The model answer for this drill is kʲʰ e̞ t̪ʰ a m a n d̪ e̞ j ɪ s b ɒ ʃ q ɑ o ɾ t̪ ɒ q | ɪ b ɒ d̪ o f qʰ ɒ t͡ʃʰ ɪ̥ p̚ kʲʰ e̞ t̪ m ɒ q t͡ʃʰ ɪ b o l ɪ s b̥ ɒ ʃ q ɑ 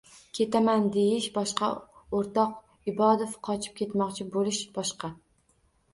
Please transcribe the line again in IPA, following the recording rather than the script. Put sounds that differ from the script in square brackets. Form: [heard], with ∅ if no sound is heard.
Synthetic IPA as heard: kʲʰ e̞ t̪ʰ a m a n d̪ e̞ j ɪ [ʃ] b ɒ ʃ q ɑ o ɾ t̪ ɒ q | ɪ b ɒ d̪ o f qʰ ɒ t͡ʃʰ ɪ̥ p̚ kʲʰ e̞ t̪ m ɒ q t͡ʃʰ ɪ b o l ɪ [ʃ] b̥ ɒ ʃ q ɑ